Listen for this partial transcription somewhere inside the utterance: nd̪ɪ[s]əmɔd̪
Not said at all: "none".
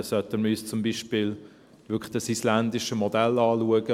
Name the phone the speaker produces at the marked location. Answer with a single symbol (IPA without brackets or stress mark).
ʃ